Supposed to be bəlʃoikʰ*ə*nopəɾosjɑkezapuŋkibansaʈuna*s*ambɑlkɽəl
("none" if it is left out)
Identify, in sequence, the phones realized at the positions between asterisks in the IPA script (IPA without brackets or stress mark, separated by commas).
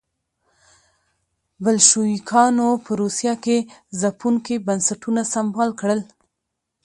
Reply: ɑ, s